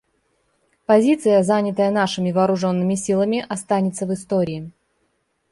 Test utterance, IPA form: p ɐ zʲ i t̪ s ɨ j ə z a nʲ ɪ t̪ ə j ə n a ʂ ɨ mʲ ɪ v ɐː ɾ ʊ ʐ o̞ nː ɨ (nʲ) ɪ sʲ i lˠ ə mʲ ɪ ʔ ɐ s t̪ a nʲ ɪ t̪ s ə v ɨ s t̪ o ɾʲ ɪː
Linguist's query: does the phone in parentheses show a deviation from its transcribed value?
yes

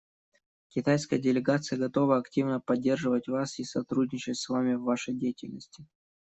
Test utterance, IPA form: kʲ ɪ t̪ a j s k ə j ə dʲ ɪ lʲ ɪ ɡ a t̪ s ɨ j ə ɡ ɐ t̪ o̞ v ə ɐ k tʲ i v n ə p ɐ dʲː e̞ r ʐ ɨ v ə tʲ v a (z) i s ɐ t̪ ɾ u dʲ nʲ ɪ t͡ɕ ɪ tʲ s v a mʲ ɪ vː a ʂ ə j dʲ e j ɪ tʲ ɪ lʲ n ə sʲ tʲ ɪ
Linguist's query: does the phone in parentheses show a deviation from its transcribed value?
yes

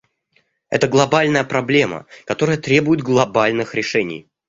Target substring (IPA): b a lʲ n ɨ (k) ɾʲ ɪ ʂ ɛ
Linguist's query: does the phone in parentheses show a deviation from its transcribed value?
yes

